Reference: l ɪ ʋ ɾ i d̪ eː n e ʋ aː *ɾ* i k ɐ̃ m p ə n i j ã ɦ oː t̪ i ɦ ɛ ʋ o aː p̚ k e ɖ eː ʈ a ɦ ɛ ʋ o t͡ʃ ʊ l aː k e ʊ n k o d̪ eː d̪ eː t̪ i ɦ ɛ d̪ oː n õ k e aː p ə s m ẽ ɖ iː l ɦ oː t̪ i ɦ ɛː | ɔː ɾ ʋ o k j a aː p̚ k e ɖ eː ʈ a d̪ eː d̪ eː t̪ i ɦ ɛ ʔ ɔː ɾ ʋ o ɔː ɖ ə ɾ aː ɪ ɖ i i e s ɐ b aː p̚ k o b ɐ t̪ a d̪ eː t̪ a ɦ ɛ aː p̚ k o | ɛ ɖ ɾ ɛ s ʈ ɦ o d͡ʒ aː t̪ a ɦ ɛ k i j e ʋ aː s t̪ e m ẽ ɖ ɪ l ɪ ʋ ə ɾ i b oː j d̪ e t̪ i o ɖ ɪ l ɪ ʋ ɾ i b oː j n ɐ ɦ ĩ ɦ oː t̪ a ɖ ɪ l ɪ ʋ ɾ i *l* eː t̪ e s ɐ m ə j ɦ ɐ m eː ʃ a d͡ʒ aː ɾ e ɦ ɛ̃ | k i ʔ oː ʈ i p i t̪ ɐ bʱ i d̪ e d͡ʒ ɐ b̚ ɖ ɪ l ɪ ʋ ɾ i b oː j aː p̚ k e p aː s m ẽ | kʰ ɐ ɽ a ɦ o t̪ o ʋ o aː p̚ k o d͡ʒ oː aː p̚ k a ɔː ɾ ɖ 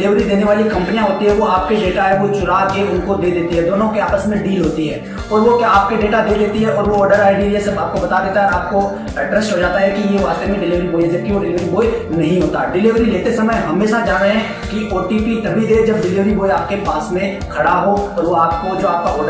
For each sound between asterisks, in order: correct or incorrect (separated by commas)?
incorrect, correct